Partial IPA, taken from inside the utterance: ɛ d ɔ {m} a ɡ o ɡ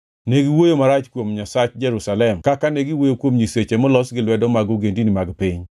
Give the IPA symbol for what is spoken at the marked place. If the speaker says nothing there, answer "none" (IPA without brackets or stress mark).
m